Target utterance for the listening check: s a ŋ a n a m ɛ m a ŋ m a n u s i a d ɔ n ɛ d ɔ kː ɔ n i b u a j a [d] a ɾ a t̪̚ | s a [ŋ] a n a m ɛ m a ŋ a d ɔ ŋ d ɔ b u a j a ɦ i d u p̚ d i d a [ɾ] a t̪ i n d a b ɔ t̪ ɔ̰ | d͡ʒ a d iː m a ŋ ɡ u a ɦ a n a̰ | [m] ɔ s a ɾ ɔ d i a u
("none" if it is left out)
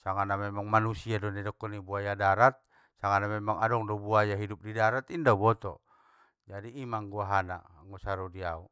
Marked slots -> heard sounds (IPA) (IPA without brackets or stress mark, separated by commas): d, ŋ, ɾ, ŋ